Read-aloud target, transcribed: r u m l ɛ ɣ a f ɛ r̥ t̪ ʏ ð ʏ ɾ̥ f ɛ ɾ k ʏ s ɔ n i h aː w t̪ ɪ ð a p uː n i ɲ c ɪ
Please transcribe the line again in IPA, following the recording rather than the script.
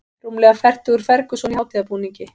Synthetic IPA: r u m l ɛ ɣ a f ɛ r̥ t̪ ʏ ɣ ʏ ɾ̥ f ɛ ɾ k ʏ s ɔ n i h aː w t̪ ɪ ð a p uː n i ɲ c ɪ